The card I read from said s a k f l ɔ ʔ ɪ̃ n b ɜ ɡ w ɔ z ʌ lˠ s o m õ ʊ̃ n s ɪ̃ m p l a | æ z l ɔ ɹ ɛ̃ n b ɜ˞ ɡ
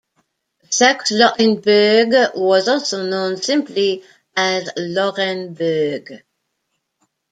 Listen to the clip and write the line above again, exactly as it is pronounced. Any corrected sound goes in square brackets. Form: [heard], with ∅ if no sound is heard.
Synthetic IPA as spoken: s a k [s] l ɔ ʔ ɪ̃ n b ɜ ɡ w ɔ z [ɔ] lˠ s o [n] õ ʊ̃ n s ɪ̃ m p l [i] | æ z l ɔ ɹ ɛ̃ n b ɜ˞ ɡ